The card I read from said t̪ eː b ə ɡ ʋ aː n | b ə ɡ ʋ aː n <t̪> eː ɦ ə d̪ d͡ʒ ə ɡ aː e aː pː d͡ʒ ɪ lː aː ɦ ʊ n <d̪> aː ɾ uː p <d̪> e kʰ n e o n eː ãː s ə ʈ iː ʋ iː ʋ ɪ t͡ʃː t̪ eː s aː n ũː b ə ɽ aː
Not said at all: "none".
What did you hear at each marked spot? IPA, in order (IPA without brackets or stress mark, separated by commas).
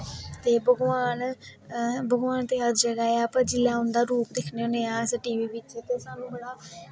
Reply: t̪, d̪, d̪